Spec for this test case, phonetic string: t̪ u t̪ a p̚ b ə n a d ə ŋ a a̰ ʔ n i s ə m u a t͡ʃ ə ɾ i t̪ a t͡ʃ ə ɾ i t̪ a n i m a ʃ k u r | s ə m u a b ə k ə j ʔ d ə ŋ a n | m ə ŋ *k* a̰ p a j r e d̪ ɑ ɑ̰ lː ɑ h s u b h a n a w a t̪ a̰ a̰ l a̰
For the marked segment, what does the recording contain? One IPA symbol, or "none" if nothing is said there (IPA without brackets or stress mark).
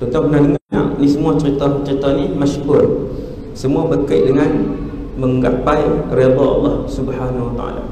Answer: ɡ